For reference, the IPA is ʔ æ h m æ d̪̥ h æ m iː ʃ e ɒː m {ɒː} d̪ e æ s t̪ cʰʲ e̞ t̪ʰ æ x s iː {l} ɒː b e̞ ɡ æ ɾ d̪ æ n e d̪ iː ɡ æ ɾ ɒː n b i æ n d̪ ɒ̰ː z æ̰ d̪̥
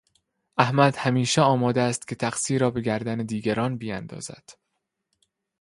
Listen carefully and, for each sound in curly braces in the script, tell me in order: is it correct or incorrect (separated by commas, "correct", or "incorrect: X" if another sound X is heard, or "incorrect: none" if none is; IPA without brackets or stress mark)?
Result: correct, incorrect: ɾ